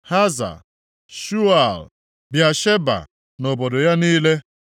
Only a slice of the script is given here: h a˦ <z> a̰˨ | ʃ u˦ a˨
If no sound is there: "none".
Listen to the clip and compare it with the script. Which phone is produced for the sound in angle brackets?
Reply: z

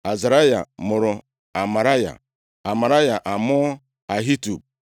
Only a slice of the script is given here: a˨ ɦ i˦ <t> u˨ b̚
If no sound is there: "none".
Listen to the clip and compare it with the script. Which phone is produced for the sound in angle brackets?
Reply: t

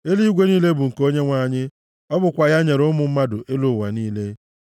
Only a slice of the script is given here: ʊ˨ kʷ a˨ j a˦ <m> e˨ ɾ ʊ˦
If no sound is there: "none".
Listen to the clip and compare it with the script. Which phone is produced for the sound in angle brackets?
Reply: ɲ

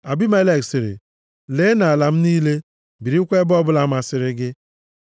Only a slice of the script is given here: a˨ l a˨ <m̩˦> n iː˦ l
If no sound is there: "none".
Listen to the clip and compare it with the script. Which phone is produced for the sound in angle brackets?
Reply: m̩˦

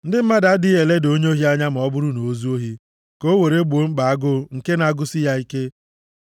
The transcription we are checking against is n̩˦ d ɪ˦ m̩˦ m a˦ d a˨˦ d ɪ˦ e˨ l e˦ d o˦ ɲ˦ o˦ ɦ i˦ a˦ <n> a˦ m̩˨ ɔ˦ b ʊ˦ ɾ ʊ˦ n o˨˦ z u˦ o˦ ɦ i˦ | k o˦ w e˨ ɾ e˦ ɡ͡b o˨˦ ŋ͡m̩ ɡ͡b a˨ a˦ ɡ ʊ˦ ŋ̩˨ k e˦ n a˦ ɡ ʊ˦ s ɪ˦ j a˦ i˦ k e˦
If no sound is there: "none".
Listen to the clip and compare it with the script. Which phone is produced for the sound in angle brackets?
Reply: ɲ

